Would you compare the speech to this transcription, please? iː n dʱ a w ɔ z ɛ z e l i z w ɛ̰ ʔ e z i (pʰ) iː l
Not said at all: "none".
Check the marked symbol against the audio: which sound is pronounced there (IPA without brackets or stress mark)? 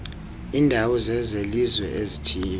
tʰ